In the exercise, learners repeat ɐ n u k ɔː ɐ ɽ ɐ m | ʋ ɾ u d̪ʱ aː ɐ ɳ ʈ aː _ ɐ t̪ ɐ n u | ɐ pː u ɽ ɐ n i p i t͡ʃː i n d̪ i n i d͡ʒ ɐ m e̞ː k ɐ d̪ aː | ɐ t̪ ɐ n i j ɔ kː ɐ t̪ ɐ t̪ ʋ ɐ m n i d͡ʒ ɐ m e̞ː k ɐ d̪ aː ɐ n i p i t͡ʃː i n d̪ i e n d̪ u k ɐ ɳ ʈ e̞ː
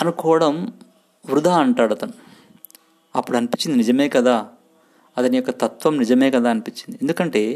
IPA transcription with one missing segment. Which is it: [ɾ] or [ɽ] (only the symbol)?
ɽ